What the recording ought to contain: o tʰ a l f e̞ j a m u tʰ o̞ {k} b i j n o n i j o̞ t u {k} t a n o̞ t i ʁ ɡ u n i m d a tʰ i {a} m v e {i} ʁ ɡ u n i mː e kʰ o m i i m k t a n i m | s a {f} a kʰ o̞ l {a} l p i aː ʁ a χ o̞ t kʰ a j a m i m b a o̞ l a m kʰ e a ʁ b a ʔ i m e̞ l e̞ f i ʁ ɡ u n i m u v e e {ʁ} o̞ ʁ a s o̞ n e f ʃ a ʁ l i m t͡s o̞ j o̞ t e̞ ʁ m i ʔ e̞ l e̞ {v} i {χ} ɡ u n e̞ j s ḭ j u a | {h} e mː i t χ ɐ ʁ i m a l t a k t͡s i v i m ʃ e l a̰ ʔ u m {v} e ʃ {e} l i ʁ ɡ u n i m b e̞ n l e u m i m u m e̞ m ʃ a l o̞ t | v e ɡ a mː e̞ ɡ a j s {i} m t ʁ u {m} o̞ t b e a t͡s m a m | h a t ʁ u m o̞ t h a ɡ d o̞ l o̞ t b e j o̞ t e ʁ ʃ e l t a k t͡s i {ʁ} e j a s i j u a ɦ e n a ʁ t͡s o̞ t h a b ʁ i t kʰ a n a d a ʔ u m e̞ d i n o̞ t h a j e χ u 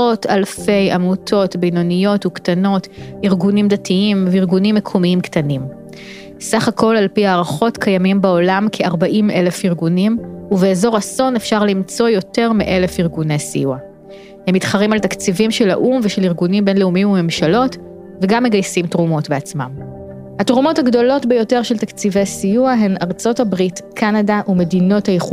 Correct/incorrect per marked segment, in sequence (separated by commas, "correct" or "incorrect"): incorrect, correct, incorrect, correct, incorrect, correct, incorrect, incorrect, incorrect, correct, correct, correct, correct, correct, incorrect